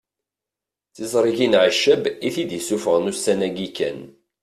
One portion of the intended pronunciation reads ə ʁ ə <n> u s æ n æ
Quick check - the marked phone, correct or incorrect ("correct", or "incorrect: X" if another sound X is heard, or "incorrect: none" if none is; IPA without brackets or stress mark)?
correct